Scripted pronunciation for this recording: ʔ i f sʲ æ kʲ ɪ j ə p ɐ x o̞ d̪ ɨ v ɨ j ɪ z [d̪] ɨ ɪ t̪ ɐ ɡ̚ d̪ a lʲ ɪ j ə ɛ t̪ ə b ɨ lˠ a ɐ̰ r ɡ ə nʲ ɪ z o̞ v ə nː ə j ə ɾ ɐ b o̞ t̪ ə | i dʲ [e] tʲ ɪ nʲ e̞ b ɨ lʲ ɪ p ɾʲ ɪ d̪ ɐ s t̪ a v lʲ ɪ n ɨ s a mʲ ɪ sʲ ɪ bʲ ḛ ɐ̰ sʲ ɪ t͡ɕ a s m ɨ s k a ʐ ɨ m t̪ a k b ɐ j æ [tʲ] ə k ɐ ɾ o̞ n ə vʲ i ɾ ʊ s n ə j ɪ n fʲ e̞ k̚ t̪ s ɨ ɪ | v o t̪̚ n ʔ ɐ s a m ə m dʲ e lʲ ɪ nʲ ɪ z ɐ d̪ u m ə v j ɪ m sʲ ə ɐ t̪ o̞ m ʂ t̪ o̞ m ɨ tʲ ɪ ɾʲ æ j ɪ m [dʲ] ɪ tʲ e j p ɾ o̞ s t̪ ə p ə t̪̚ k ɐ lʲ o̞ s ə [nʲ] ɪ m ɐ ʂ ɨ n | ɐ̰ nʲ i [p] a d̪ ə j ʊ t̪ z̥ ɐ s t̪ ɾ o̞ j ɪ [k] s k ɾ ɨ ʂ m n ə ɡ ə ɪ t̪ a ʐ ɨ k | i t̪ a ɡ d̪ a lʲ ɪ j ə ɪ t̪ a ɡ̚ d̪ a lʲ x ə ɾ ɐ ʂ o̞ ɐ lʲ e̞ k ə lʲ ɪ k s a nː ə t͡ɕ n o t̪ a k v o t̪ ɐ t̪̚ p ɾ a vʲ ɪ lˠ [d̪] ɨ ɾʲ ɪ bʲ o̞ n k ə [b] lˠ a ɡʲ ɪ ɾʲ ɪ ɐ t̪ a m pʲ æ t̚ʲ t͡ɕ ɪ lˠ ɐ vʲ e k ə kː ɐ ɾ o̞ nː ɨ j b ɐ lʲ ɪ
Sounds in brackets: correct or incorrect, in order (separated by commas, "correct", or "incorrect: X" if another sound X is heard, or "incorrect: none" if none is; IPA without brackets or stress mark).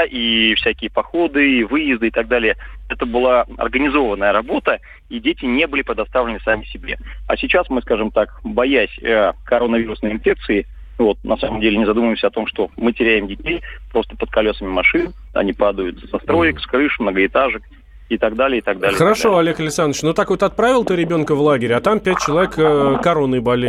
correct, correct, incorrect: sʲ, correct, incorrect: mʲ, correct, correct, incorrect: t̪, incorrect: v